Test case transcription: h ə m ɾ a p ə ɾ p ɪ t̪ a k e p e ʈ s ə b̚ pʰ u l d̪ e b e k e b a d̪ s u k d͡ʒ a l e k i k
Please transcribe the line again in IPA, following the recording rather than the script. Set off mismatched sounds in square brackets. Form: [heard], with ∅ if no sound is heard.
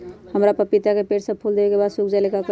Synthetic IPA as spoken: h ə m ɾ a p ə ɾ p [i] t̪ a k e p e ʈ s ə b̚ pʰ u l d̪ e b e k e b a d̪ s u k d͡ʒ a l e k [a] k